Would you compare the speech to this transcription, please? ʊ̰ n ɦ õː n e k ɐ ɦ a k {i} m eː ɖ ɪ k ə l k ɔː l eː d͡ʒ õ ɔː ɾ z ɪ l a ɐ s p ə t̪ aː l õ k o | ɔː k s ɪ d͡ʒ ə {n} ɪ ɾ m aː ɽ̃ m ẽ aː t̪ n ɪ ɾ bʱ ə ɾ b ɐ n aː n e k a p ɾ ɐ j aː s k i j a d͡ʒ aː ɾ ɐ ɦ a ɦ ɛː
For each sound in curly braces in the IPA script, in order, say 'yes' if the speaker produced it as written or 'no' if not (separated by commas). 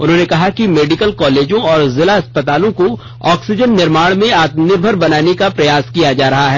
yes, no